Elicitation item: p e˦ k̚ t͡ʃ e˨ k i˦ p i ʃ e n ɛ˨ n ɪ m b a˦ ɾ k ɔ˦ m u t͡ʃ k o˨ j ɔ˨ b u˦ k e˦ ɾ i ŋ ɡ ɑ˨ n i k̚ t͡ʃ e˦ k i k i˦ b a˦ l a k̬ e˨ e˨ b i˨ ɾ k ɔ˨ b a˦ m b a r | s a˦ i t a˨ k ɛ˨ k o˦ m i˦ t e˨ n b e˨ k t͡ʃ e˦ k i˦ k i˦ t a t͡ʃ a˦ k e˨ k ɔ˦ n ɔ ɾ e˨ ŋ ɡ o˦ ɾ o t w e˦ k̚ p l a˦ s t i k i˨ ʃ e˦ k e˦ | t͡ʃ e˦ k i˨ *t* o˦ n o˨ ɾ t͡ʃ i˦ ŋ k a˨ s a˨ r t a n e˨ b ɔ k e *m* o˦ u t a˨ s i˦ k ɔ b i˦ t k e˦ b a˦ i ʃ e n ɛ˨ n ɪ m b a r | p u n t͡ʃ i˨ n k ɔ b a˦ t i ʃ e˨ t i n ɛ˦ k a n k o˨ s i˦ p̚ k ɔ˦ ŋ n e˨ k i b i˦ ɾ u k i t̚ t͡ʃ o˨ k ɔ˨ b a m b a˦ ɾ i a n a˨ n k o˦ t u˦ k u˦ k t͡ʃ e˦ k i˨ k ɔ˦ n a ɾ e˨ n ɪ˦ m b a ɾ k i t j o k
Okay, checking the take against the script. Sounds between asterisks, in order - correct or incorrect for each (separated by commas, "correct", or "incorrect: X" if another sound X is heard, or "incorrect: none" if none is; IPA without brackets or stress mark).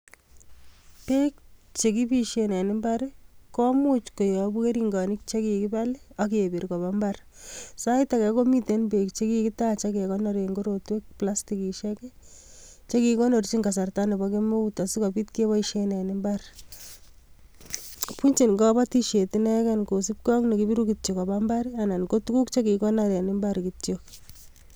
incorrect: k, correct